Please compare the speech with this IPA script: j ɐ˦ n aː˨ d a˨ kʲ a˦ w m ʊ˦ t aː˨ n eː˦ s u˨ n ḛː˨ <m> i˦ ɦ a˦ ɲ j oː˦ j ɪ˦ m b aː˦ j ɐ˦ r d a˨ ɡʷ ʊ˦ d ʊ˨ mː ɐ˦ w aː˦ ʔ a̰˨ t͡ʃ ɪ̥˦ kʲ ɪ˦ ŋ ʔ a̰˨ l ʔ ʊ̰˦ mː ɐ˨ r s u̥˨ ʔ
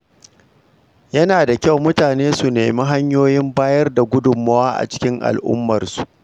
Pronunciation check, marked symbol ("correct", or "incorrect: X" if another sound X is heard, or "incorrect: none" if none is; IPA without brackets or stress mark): correct